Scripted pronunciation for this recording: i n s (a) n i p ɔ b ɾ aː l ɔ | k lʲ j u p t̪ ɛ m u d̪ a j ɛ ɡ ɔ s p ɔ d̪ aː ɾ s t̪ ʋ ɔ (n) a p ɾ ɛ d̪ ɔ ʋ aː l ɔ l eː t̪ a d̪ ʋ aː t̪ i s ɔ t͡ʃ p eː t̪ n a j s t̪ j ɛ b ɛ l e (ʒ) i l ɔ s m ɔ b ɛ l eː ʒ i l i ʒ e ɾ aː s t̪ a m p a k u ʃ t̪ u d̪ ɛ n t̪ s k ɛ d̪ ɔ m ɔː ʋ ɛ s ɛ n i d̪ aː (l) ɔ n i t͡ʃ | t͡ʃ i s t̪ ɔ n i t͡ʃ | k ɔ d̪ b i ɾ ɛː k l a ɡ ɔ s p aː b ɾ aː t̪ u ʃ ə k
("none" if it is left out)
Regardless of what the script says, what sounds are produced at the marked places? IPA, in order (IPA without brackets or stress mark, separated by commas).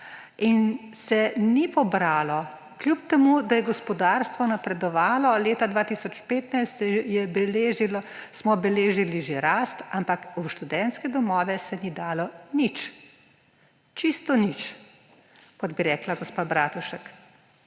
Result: ɛ, n, ʒ, l